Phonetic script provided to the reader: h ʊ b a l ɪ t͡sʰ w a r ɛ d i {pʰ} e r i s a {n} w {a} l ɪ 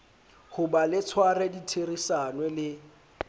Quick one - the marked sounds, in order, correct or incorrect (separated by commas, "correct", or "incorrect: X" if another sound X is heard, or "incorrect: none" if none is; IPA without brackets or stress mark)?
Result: incorrect: tʰ, correct, incorrect: ɛ